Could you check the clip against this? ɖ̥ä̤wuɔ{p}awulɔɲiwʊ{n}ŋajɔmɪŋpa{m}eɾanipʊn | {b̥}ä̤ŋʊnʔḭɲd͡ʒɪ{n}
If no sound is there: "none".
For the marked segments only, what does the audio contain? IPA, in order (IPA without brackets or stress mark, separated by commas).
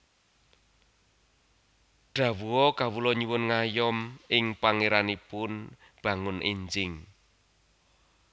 k, n, ŋ, b̥, ŋ